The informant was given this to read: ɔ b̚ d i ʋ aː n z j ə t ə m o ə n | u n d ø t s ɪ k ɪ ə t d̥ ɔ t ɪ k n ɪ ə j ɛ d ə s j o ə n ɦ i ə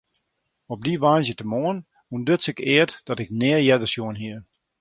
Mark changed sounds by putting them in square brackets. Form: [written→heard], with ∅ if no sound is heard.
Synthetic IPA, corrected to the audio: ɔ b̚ d i ʋ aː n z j ə t ə m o ə n | u n d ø t s ɪ k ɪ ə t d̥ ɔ t ɪ k n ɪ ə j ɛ d ə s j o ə n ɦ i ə